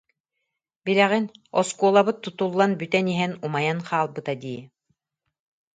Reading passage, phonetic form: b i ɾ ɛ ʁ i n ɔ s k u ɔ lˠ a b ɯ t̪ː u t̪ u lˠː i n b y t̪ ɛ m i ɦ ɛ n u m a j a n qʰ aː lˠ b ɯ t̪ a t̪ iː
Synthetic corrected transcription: b i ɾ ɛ ʁ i n ɔ s k u ɔ lˠ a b ɯ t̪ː u t̪ u lˠː a n b y t̪ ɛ n i ɦ ɛ n u m a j a n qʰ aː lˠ b ɯ t̪ a d̪ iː